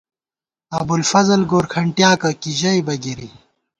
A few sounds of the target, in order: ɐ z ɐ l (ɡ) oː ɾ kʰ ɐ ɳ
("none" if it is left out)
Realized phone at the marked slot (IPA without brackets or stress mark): ɡ